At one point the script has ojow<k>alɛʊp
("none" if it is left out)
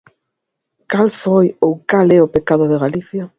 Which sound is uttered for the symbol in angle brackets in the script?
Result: k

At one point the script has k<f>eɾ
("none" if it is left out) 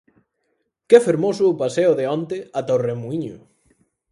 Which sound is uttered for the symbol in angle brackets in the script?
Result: f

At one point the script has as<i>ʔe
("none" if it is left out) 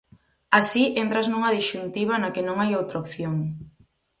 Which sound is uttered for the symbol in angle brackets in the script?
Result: i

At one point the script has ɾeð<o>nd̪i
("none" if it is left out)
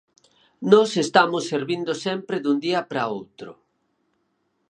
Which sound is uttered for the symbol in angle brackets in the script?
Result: u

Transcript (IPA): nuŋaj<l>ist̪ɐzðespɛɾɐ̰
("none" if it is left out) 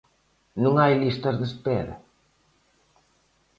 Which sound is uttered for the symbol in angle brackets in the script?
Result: l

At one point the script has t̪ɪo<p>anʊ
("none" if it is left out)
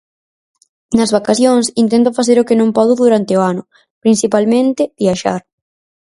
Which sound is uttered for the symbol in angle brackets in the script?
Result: none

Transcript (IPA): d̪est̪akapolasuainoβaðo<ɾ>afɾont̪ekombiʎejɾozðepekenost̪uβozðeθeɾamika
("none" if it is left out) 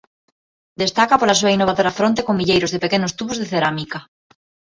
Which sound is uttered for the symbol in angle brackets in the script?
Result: ɾ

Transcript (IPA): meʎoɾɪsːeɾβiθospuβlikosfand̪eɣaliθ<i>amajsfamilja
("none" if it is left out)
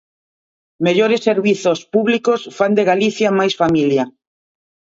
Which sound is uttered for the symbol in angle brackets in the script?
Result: j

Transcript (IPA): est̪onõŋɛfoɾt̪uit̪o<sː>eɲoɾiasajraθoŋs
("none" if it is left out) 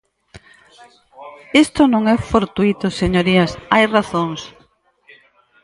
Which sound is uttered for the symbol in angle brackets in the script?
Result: s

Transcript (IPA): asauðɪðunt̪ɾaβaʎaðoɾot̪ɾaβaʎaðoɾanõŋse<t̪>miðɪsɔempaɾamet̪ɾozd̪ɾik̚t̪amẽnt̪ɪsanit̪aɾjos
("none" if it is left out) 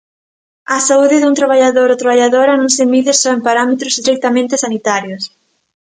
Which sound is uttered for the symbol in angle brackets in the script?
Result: none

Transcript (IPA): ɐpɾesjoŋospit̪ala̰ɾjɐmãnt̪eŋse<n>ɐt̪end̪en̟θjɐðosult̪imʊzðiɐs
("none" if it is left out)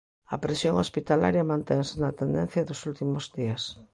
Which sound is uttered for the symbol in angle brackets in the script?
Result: n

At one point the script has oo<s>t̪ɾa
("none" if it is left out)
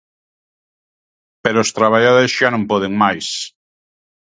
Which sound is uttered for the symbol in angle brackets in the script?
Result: s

